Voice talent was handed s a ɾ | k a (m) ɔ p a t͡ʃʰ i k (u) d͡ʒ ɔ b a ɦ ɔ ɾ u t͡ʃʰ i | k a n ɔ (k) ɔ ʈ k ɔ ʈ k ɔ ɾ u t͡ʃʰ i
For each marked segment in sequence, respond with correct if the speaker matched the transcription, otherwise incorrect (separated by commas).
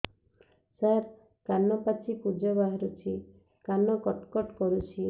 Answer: incorrect, correct, correct